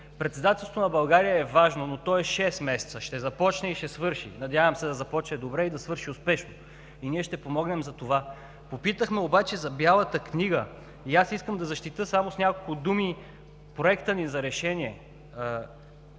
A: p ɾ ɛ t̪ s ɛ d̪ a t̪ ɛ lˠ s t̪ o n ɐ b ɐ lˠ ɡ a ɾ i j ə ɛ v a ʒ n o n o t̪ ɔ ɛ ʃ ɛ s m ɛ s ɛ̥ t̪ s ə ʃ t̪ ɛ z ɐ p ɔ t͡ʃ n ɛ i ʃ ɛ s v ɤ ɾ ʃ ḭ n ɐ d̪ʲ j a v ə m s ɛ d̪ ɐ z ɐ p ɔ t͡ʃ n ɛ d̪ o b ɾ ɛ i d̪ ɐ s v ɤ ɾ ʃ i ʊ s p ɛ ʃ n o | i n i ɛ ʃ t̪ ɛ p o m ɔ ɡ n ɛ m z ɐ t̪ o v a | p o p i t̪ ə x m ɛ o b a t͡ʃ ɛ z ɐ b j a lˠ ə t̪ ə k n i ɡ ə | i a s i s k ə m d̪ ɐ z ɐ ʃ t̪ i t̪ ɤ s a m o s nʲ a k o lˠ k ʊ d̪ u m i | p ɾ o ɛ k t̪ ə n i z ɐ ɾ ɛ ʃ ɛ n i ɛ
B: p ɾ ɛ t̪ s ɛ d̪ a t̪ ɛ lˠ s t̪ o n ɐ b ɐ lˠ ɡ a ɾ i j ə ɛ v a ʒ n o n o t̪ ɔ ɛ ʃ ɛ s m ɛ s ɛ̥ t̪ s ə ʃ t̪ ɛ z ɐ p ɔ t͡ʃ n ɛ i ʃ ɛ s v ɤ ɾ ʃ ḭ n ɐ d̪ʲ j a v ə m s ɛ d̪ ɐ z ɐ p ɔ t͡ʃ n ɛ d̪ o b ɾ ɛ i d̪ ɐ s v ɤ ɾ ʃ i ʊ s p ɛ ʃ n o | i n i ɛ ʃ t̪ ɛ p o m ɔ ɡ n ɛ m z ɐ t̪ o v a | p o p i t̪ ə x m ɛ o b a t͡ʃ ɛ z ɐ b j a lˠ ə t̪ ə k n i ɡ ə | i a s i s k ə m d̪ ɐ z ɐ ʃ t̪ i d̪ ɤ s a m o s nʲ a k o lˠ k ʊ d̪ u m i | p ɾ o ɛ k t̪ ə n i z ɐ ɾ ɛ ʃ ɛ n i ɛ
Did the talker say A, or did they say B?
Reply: A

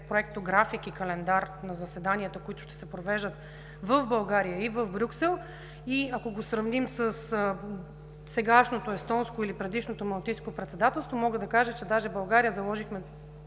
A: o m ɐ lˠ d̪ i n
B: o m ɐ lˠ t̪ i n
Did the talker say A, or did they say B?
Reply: B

